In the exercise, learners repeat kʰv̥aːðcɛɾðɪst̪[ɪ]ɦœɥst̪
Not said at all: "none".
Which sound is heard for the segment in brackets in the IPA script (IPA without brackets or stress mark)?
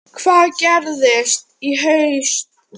i